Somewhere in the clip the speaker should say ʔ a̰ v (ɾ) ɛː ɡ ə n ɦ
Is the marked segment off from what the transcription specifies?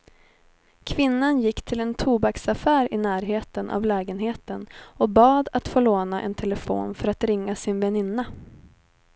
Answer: yes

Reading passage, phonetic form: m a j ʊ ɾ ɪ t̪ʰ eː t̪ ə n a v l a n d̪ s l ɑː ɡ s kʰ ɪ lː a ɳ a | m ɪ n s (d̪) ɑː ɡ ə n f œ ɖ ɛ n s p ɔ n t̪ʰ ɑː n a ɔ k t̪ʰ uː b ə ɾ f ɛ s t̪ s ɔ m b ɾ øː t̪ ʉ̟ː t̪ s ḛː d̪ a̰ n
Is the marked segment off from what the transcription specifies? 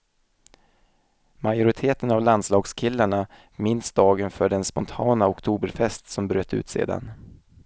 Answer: no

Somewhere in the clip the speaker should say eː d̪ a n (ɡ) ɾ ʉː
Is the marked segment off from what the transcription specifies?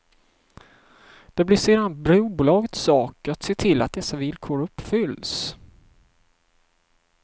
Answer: yes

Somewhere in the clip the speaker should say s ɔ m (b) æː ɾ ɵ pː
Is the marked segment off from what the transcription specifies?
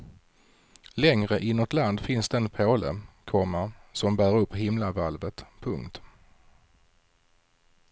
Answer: no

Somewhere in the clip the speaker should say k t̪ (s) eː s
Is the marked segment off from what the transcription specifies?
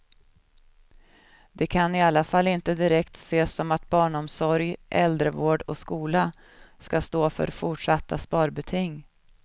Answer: no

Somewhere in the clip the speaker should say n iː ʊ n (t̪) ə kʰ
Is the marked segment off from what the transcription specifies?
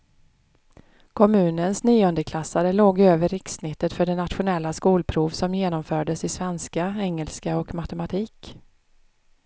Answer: yes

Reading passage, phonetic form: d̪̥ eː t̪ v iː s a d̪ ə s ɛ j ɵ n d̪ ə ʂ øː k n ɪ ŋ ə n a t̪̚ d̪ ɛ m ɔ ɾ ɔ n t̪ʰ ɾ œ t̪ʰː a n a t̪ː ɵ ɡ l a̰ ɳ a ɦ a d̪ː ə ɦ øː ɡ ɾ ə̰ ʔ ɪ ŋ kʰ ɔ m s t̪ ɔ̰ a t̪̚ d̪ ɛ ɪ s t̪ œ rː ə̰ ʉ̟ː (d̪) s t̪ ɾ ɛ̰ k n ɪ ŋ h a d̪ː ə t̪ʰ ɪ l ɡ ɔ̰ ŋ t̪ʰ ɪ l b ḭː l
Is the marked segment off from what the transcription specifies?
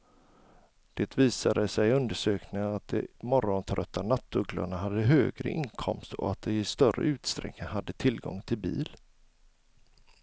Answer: yes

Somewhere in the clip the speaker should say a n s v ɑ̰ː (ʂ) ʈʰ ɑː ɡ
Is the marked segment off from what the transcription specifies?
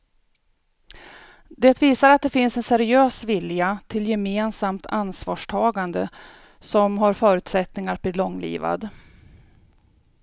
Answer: no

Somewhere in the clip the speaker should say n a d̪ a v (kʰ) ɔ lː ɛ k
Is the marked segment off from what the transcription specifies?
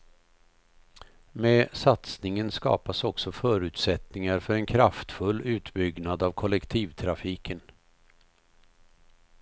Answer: no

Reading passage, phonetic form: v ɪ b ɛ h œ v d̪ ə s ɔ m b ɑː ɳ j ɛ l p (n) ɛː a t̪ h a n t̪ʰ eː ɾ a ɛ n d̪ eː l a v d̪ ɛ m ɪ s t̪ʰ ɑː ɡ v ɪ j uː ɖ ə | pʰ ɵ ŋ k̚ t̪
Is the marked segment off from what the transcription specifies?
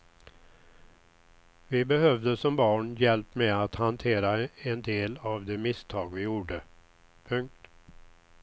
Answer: yes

